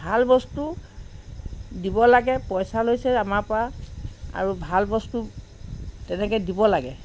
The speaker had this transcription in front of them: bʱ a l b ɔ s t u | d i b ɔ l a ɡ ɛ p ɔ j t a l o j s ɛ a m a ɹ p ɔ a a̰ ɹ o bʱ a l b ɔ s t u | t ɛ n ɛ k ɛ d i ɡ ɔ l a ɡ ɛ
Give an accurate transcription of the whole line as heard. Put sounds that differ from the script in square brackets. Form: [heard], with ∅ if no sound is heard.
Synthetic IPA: bʱ a l b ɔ s t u | d i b ɔ l a ɡ ɛ p ɔ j [s] a l o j s ɛ a m a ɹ p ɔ a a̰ ɹ [u] bʱ a l b ɔ s t u | t ɛ n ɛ k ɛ d i [b] ɔ l a ɡ ɛ